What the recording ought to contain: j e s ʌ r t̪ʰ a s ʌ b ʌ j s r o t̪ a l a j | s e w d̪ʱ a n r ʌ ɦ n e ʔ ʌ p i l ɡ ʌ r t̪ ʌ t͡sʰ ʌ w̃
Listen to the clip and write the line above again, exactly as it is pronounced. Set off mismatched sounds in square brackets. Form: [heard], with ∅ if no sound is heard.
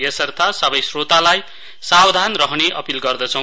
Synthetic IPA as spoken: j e s ʌ r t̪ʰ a s ʌ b ʌ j s r o t̪ a l a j | s [a] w d̪ʱ a n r ʌ ɦ n e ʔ ʌ p i l ɡ ʌ r [d̪] ʌ t͡sʰ ʌ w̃